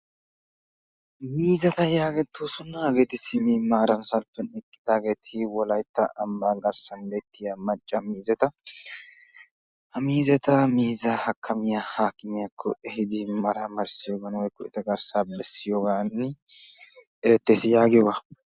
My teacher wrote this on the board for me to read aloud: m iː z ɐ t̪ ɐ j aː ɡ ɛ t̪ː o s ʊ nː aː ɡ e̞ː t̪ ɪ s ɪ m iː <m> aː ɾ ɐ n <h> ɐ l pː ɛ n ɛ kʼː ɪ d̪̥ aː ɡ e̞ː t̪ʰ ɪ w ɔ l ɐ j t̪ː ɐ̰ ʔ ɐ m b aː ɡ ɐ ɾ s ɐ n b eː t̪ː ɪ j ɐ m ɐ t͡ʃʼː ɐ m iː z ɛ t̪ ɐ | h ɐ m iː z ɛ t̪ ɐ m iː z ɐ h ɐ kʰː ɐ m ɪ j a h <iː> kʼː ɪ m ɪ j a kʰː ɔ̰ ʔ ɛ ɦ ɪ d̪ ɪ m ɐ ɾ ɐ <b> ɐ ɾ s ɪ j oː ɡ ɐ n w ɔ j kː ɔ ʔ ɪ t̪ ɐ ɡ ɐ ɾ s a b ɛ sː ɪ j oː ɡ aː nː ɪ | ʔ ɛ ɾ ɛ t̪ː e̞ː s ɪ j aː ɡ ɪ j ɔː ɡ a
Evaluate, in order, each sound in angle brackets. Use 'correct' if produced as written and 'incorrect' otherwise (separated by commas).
correct, incorrect, incorrect, incorrect